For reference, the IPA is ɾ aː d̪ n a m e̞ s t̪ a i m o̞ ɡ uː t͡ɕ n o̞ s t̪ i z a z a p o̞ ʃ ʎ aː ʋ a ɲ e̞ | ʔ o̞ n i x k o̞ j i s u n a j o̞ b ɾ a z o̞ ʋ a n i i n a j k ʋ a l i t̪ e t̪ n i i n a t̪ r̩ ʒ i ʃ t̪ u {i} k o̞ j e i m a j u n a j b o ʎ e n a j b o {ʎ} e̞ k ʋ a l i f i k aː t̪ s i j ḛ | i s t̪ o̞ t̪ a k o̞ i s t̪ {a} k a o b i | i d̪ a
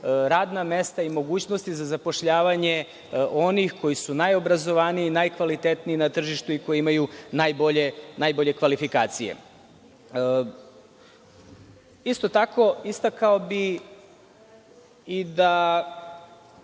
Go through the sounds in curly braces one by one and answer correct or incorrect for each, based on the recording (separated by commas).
correct, correct, correct